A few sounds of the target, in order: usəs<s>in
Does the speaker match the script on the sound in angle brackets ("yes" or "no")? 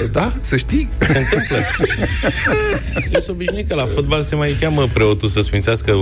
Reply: no